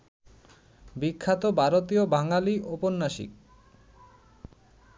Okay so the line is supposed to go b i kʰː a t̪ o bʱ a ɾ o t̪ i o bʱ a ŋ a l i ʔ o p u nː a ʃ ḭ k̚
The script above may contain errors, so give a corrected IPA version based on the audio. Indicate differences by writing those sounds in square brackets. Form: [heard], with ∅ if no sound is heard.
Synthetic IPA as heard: b i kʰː a t̪ o bʱ a ɾ o t̪ i o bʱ a ŋ a l i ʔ o p [o] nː a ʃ ḭ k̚